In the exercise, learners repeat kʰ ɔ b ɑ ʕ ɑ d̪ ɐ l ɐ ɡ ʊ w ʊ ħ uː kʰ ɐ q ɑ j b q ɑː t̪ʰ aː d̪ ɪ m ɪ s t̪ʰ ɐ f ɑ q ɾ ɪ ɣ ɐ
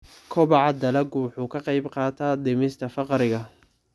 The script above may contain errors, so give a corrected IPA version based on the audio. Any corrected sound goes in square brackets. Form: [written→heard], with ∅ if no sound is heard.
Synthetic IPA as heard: kʰ ɔ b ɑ ʕ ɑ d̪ ɐ l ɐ ɡ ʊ w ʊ ħ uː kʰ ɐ q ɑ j b q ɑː t̪ʰ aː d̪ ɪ m ɪ s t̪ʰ ɐ f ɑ q ɾ ɪ ɣ ɐ